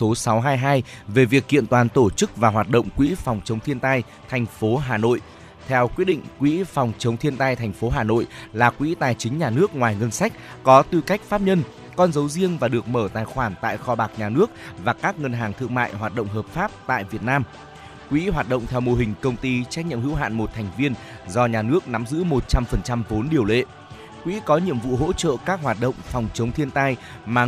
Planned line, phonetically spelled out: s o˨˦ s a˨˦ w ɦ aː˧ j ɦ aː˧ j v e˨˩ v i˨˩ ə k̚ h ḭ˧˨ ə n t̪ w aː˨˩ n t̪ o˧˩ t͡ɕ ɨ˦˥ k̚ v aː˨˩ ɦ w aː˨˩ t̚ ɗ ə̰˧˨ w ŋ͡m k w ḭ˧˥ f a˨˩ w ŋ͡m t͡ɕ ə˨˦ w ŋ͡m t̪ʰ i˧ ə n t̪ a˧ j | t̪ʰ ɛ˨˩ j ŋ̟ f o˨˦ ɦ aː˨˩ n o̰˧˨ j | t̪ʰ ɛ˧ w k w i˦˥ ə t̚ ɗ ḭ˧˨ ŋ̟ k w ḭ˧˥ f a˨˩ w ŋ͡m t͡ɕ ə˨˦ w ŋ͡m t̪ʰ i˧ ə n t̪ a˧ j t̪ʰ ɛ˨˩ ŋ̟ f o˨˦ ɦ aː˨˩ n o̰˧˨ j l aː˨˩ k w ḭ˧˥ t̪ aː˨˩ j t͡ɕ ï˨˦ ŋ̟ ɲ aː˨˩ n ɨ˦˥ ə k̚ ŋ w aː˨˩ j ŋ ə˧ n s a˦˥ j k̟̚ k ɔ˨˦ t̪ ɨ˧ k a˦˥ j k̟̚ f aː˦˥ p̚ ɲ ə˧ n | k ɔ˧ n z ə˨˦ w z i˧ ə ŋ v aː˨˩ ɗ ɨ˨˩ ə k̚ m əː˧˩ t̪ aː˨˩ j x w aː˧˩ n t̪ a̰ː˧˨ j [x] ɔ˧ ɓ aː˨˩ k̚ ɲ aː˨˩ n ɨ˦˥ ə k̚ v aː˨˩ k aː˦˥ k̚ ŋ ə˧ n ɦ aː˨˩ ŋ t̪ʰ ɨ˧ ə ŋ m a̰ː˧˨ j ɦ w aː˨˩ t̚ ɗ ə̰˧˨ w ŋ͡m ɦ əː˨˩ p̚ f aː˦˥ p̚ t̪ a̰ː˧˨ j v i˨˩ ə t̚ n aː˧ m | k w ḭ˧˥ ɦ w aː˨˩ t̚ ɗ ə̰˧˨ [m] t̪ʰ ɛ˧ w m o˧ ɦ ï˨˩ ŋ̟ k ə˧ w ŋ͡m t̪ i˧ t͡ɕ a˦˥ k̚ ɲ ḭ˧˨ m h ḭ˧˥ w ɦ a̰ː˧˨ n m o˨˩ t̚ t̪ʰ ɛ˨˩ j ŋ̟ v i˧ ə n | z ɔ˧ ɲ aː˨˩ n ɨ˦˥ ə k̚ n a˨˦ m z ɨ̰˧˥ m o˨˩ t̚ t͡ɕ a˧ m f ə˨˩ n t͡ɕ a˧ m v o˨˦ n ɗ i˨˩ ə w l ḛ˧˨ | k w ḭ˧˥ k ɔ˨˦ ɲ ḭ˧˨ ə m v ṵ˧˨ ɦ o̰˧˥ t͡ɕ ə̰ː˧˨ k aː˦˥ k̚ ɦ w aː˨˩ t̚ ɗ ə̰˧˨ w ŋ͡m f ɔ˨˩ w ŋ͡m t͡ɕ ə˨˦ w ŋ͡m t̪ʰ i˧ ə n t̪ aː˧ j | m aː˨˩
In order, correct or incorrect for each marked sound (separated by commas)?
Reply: correct, incorrect